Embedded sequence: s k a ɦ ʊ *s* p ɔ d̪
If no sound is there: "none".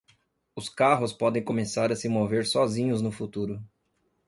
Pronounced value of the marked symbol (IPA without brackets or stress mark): s